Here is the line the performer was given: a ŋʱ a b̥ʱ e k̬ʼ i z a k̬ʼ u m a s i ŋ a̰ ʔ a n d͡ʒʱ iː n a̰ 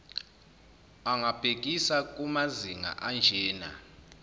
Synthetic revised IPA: a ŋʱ a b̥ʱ e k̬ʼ i s a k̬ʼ u m a z i ŋ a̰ ʔ a n d͡ʒʱ ɛː n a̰